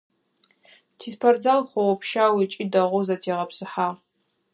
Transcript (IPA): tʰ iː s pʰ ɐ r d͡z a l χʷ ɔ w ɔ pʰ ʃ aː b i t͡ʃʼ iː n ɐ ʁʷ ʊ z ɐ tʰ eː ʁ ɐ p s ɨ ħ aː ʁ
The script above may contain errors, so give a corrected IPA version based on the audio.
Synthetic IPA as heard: tʰ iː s pʰ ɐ r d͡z a l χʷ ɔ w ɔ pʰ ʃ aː w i t͡ʃʼ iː d ɐ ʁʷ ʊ z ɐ tʰ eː ʁ ɐ p s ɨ ħ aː ʁ